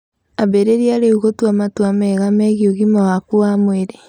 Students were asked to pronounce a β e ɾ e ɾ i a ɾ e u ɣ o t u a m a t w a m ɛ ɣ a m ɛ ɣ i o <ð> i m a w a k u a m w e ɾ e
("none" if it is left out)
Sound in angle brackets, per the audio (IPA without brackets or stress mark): ɣ